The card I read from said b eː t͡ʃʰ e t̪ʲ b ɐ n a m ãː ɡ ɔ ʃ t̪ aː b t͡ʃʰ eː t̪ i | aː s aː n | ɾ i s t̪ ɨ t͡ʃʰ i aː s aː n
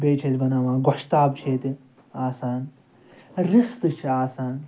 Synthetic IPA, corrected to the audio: b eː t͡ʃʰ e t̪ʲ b ɐ n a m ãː ɡ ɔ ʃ t̪ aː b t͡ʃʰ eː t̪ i | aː s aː n | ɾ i s t̪ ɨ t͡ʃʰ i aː s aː n